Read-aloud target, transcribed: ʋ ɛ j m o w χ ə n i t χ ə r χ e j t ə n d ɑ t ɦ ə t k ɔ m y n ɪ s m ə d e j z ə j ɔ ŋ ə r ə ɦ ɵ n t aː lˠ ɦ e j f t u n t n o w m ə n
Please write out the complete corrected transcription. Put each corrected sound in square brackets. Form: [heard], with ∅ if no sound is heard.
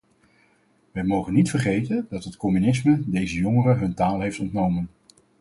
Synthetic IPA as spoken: ʋ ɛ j m o w χ ə n i t [f] ə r χ e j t ə n d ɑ t ɦ ə t k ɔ m y n ɪ s m ə d e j z ə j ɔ ŋ ə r ə ɦ ɵ n t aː lˠ ɦ e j f t [ɔ] n t n o w m ə n